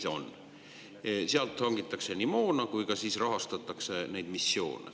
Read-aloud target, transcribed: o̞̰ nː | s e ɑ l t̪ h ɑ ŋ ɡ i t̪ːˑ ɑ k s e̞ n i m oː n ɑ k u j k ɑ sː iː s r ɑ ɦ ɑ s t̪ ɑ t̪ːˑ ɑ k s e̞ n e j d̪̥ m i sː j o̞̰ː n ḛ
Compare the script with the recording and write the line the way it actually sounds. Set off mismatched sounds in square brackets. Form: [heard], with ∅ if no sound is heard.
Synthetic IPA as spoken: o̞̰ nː | s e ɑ l t̪ h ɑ ŋ ɡ i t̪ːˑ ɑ k s e̞ n i m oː n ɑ k u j k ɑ [s] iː s r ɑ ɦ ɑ s t̪ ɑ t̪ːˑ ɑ k s e̞ n e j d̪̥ m i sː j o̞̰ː n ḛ

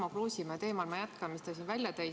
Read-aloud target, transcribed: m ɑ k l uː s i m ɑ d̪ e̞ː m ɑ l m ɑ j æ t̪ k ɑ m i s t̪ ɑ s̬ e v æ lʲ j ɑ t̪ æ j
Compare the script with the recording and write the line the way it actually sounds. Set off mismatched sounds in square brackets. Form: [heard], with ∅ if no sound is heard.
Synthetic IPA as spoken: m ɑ k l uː s i m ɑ [t̪] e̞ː m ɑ l m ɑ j æ t̪ k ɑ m i s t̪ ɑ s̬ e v æ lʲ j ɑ t̪ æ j

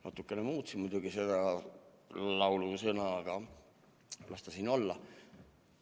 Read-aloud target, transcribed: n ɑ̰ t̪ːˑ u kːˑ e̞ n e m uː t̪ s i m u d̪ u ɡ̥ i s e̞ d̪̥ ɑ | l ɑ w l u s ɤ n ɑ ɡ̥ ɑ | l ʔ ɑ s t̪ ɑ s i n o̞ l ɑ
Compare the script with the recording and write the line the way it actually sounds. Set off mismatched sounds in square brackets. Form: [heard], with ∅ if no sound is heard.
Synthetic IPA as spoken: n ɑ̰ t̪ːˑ u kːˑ e̞ n e m uː t̪ s i m u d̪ u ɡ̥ i s e̞ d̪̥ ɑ | l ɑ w l u s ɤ n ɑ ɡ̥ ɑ | l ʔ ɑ s t̪ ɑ s i n o̞ [lː] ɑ

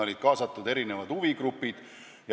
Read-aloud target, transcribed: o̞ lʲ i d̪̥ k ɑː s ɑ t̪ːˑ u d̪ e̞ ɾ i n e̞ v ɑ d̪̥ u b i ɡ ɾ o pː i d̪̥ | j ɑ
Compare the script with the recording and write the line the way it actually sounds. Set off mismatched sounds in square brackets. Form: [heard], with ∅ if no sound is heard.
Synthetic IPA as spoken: o̞ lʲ i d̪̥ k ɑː s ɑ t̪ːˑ u d̪ e̞ ɾ i n e̞ v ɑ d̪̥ u [v] i ɡ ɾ [u] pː i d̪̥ | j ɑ

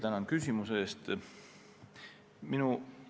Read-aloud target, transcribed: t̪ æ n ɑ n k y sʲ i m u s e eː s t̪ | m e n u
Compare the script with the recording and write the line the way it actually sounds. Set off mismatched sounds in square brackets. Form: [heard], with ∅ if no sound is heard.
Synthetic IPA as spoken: t̪ æ n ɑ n k y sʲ i m u s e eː s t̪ | m [i] n u

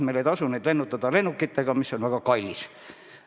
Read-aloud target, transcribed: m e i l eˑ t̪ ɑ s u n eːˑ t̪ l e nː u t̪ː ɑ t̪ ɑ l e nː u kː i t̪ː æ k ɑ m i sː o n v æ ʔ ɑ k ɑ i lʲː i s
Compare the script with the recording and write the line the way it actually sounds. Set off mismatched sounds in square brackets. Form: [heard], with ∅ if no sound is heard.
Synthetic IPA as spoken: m e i l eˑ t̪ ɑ s u n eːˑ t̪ l e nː u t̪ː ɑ t̪ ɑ l e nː u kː i t̪ː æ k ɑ m i sː o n [ʋ] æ [k] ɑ k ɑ i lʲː i s

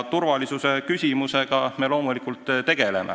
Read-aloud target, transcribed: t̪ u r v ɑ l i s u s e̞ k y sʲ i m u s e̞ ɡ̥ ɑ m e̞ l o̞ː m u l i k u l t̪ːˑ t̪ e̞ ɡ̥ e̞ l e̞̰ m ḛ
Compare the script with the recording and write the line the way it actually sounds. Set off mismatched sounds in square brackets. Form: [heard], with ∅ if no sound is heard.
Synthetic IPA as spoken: t̪ u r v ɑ l i s u s e̞ k y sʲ i m u s e̞ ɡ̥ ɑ m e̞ l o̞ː m u l i k u l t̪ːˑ t̪ e̞ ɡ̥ e̞ l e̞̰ m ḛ

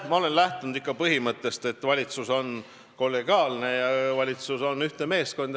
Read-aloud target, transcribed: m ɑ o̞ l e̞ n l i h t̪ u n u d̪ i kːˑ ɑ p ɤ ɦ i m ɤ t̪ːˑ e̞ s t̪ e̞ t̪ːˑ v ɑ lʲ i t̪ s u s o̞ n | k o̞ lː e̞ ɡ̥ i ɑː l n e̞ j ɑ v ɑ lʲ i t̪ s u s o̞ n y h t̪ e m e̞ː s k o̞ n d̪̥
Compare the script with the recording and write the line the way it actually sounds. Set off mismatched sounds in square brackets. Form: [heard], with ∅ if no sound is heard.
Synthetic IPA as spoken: m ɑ o̞ l e̞ n l [æ] h t̪ u n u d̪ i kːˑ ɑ p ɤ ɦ i m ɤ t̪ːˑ e̞ s t̪ e̞ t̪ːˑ v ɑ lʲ i t̪ s u s o̞ n | k o̞ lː e̞ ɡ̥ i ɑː l n e̞ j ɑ v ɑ lʲ i t̪ s u s o̞ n y h t̪ e m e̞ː s k o̞ n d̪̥

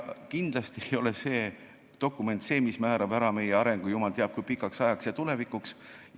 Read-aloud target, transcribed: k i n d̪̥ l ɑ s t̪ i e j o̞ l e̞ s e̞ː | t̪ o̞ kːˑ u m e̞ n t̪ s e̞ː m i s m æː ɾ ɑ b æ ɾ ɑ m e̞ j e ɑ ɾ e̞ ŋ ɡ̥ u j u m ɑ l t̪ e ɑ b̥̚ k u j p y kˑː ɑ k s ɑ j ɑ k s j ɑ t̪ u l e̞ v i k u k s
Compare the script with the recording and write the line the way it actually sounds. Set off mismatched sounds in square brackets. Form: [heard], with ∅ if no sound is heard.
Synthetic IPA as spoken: k i n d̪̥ l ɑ s t̪ i e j o̞ l e̞ s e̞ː | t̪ o̞ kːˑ u m e̞ n t̪ s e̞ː m i s m æː ɾ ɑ b æ ɾ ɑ m e̞ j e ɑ ɾ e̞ ŋ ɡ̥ u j u m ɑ l t̪ e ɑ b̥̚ k u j p [i] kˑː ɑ k s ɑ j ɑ k s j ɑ t̪ u l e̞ v i k u k s

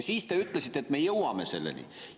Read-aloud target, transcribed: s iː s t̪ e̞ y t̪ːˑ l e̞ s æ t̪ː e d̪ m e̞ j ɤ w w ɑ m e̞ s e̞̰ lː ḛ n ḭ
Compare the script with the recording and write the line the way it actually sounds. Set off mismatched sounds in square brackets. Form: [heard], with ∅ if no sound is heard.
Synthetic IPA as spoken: s iː s t̪ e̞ y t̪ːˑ l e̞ s [i] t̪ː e [t̪] m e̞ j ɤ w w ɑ m e̞ s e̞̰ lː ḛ n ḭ

